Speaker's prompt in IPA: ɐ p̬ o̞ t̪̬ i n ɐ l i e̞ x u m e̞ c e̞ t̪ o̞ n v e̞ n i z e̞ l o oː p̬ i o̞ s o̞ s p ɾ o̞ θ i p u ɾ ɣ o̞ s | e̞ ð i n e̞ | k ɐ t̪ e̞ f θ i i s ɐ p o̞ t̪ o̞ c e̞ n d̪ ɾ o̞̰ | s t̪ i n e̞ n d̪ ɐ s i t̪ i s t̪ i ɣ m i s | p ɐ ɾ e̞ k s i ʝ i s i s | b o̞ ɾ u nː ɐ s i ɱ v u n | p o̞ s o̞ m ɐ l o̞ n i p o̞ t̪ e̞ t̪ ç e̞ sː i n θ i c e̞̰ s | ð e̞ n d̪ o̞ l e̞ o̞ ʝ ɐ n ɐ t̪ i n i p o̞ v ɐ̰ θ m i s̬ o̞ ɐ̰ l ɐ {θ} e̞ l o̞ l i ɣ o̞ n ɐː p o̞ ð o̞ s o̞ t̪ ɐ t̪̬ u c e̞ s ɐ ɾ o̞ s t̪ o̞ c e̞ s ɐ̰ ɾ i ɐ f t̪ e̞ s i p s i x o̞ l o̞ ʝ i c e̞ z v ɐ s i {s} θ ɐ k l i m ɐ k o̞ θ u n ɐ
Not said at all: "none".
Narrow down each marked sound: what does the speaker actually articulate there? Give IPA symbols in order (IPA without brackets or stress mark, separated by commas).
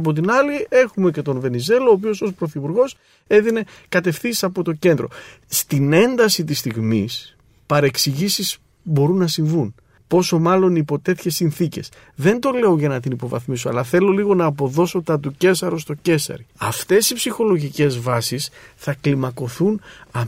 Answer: θ, s